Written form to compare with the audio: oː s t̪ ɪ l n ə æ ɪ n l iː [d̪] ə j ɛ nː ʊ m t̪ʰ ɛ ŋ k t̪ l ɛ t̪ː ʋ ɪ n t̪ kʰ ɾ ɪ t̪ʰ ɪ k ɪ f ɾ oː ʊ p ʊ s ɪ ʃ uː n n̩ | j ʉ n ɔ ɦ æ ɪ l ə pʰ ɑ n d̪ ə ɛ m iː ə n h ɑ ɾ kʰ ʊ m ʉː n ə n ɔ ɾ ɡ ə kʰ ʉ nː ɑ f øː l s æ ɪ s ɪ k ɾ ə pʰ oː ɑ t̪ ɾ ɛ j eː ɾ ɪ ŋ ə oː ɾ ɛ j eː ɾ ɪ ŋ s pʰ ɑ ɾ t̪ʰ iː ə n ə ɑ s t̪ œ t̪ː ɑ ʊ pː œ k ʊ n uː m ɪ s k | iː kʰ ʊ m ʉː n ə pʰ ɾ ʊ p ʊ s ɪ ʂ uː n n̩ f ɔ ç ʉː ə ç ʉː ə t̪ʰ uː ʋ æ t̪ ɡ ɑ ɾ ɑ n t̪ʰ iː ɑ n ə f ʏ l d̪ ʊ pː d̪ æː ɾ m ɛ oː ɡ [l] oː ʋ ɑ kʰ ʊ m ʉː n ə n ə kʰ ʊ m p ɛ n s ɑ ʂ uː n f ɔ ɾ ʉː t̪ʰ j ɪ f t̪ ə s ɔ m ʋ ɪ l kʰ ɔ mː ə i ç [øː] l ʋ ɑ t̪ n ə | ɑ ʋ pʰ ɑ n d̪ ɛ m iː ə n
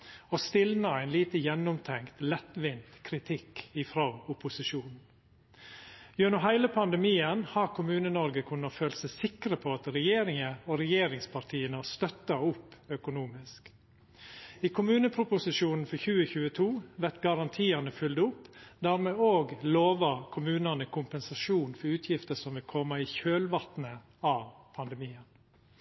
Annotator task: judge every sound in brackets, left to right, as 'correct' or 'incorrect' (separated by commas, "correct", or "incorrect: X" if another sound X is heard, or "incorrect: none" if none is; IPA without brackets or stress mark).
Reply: incorrect: t̪, correct, correct